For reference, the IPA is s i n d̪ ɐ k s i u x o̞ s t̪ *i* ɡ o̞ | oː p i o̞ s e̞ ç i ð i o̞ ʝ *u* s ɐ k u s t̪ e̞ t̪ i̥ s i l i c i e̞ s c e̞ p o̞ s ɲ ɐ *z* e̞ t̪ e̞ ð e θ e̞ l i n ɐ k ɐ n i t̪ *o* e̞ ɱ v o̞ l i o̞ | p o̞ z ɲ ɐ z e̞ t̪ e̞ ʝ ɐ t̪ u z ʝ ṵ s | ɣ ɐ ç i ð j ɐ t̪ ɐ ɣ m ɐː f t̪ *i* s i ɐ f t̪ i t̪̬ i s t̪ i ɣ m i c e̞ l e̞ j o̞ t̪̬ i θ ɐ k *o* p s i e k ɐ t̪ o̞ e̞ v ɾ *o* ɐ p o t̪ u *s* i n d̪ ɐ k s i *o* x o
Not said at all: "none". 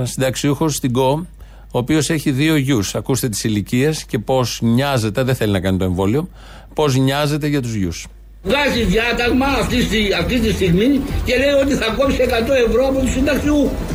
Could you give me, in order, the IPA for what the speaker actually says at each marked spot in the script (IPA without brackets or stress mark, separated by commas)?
i, u, z, o, i, o, o, s, u